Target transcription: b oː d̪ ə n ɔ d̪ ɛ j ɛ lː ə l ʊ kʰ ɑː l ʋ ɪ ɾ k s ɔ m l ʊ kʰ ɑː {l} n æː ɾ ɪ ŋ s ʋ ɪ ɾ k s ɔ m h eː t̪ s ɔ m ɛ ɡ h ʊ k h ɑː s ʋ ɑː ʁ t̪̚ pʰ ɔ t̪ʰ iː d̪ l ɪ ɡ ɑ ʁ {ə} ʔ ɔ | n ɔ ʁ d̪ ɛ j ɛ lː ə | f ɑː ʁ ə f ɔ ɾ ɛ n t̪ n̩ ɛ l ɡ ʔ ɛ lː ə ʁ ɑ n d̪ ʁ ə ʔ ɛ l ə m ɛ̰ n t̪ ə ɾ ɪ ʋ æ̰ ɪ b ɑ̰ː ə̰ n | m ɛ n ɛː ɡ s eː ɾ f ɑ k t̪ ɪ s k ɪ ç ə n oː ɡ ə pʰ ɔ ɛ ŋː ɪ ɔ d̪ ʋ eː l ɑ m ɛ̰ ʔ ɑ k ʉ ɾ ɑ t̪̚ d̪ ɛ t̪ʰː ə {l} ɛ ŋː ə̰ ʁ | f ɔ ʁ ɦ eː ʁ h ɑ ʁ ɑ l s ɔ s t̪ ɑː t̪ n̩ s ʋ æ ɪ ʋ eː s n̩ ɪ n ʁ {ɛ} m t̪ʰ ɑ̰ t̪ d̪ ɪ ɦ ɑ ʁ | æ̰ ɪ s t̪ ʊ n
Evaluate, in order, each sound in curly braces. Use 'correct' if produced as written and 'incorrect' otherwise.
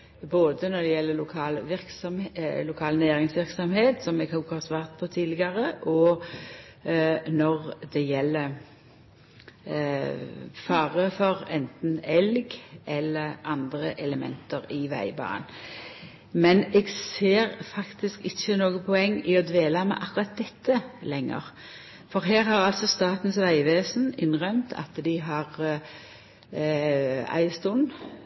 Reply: correct, correct, correct, incorrect

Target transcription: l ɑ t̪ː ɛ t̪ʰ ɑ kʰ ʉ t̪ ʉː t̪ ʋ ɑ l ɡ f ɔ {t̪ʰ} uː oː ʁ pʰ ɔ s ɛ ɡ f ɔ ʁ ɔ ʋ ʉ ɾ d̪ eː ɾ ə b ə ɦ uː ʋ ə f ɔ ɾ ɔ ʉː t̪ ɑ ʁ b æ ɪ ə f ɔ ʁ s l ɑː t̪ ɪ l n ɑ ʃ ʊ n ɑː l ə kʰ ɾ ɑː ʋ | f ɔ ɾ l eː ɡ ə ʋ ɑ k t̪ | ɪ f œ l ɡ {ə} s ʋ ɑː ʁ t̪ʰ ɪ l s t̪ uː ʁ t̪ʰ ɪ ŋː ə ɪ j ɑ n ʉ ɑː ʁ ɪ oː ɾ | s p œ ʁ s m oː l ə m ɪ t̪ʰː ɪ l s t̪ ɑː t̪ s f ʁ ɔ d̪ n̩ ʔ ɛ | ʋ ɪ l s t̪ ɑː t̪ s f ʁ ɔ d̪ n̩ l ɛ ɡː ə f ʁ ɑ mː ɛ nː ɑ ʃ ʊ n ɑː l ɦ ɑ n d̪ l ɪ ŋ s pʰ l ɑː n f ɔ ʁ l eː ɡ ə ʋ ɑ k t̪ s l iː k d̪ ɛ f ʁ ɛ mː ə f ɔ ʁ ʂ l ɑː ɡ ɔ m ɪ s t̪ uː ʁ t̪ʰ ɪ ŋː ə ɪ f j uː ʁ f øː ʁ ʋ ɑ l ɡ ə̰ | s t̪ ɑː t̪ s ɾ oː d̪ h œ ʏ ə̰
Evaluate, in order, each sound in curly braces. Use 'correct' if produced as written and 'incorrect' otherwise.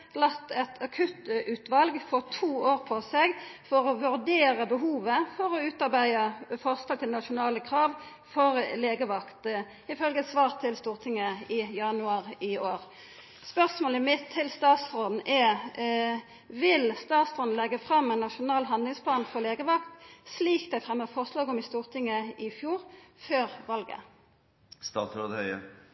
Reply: correct, correct

